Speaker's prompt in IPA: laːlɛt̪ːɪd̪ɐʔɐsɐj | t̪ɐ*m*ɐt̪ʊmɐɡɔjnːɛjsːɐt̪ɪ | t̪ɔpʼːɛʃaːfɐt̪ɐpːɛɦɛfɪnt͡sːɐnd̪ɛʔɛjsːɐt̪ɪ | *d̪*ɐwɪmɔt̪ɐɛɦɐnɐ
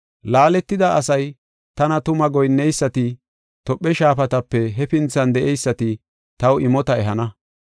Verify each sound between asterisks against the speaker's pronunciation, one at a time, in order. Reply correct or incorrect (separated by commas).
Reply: incorrect, incorrect